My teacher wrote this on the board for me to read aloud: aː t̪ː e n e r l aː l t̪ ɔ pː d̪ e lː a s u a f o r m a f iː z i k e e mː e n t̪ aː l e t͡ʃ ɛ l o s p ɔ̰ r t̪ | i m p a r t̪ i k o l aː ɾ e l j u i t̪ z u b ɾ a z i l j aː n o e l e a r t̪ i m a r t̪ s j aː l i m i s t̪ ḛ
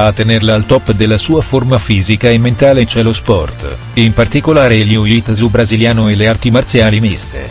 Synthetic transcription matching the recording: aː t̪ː e n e r l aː l t̪ ɔ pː d̪ e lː a s uː a f o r m a f iː z i k a e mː e n t̪ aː l e t͡ʃ ɛ l o s p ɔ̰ r t̪ | i m p a r t̪ i k o l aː ɾ e l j u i t̪ z u b ɾ a z i l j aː n o e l e a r t̪ i m a r t̪ s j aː l i m i s t̪ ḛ